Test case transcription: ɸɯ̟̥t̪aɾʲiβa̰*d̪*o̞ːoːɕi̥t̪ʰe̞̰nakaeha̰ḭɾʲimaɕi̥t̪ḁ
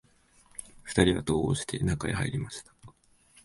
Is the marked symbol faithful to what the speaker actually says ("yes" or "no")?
no